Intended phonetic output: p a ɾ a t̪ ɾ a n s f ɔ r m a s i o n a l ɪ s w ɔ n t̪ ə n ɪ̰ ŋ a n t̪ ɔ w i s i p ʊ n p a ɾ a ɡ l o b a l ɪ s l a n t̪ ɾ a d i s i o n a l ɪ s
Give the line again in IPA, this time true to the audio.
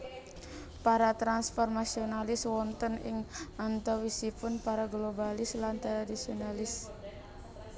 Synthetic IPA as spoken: p a ɾ a t̪ ɾ a n s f ɔ r m a s i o n a l ɪ s w ɔ n t̪ ə n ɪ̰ ŋ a n t̪ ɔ w i s i p ʊ n p a ɾ a ɡ l o b a l ɪ s l a n t̪ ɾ a d i s i o n a l ɪ s